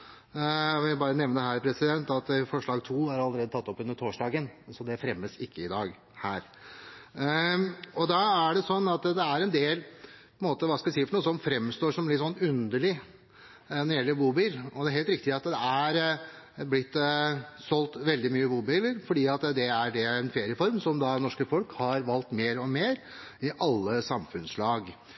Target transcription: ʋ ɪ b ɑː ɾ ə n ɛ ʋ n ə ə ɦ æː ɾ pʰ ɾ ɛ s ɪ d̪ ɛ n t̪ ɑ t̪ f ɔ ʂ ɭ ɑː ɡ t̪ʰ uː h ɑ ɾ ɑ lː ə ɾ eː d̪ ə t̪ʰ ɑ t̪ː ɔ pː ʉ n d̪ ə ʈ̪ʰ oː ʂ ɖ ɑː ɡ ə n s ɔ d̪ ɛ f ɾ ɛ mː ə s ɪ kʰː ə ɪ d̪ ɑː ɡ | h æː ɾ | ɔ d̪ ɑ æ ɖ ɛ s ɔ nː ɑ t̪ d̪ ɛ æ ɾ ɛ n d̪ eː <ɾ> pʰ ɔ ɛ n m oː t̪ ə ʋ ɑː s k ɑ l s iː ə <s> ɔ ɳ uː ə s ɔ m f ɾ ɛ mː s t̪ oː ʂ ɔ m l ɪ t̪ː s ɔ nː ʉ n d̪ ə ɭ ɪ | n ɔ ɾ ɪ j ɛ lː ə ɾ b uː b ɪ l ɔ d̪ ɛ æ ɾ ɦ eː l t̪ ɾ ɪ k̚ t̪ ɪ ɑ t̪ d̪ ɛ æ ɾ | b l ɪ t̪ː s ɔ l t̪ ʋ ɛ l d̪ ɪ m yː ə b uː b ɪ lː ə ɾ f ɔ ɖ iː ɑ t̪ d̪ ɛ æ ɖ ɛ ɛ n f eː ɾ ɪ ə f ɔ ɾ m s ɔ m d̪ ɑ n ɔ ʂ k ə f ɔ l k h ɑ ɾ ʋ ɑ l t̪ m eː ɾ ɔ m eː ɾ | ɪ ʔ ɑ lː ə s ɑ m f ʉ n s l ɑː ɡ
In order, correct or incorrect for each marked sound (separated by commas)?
incorrect, incorrect